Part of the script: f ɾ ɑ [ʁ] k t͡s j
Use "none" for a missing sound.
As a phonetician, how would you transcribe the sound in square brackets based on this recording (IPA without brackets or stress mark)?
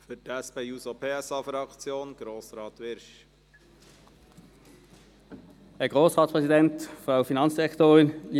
none